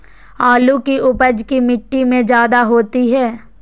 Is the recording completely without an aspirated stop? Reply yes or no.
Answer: yes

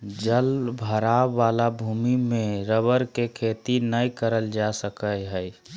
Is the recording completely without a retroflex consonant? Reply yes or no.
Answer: yes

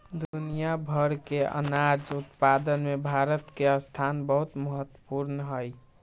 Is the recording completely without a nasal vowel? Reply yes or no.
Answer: yes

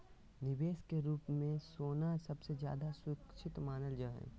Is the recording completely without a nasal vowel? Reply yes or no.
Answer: no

